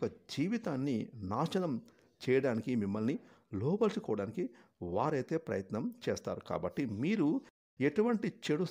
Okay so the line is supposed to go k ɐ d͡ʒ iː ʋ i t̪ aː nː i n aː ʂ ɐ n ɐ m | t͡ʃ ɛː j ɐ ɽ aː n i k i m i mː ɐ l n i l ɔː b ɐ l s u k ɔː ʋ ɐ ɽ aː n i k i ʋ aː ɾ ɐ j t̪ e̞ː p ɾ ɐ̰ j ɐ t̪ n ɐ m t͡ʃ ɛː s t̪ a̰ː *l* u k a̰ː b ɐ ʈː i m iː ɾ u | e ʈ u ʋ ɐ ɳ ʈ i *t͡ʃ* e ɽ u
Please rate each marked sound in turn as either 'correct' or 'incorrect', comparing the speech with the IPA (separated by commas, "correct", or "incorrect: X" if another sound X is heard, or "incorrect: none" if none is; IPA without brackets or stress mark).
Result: incorrect: ɾ, correct